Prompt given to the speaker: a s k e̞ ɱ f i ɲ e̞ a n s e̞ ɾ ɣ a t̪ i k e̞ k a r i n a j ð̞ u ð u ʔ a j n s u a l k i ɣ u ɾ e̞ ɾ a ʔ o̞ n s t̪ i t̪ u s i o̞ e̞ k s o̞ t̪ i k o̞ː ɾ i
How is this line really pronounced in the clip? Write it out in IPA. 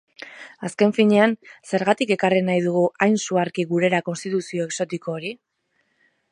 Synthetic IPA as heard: a s k e̞ ɱ f i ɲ e̞ a n s e̞ ɾ ɣ a t̪ i k e̞ k a r i n a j ð̞ u ɣ u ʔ a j n s u a ɾ k i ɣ u ɾ e̞ ɾ a k o̞ n s t̪ i t̪ u s i o̞ e̞ k s o̞ t̪ i k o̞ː ɾ i